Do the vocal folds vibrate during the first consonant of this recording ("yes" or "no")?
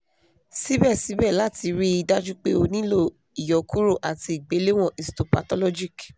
no